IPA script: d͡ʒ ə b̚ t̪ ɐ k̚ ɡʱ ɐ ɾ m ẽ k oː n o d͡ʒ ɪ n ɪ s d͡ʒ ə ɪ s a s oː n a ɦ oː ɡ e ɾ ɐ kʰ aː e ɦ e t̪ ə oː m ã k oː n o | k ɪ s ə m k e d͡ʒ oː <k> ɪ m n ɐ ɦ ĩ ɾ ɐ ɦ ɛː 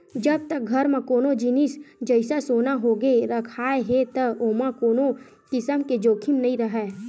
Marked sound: incorrect: kʰ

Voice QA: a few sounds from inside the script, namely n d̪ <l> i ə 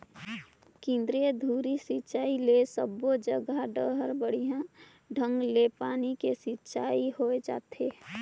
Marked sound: incorrect: ɾ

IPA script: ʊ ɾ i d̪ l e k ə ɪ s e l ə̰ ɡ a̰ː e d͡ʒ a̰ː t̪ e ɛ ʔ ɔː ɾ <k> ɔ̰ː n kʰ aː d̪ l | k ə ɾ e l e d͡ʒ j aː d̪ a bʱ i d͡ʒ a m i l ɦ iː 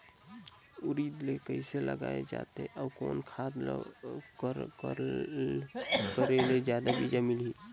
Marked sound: correct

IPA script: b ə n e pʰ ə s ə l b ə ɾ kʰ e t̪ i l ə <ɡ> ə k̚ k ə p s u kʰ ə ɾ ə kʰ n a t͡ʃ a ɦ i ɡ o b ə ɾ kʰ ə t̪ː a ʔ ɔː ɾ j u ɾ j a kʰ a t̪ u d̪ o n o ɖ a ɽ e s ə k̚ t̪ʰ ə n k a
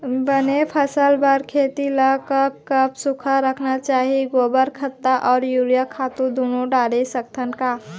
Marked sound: incorrect: k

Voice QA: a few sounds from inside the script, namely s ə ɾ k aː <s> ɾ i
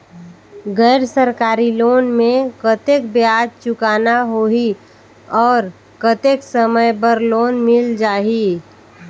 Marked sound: incorrect: none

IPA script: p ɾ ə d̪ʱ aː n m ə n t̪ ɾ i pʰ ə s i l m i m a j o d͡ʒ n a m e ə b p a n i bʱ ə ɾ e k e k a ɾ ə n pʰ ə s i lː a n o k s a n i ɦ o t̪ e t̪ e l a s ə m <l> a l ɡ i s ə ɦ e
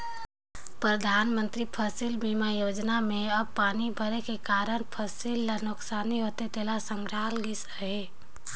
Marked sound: incorrect: ɾ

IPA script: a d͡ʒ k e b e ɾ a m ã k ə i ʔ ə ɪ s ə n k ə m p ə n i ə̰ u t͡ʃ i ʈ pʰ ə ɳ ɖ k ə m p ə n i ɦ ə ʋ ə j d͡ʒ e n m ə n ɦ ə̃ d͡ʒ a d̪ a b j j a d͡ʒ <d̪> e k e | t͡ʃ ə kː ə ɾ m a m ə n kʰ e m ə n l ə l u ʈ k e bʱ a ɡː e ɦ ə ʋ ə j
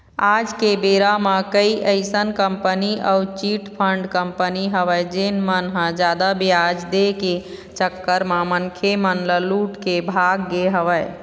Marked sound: correct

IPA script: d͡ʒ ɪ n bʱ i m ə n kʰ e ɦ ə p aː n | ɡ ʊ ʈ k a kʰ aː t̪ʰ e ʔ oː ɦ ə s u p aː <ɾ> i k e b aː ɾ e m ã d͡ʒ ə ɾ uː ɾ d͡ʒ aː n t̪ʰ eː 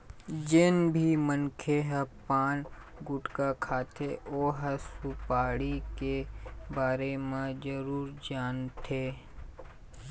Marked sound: incorrect: ɽ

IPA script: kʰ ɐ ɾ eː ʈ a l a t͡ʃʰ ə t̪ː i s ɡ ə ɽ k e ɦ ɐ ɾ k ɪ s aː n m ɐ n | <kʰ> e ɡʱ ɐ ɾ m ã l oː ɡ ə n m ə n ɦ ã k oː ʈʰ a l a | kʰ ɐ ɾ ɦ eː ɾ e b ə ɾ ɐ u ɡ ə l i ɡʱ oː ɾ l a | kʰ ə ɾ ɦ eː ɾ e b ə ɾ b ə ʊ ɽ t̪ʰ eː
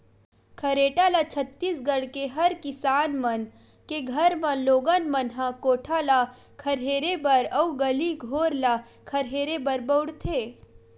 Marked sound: incorrect: k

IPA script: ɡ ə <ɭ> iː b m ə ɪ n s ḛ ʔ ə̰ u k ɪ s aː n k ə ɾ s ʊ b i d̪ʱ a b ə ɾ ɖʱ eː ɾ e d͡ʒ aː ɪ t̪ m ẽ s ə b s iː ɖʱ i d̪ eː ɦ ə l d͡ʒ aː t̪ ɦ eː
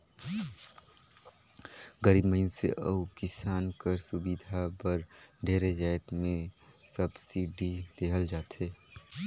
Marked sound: incorrect: ɾ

